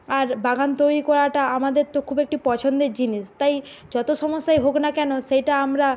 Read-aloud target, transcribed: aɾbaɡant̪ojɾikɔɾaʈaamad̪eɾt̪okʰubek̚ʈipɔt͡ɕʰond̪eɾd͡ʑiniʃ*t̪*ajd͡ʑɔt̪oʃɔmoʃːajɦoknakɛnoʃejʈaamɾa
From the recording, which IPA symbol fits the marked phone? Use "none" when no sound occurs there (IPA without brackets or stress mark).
t̪